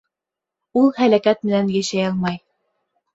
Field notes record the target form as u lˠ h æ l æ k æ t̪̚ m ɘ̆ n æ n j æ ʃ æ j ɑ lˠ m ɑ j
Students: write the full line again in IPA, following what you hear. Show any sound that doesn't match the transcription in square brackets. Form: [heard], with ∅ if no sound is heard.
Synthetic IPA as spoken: u lˠ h æ l æ k æ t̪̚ m ɘ̆ n æ n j æ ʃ æ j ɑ lˠ m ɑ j